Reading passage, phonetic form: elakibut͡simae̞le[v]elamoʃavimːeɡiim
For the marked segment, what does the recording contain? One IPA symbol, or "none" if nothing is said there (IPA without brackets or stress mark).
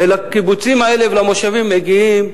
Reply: v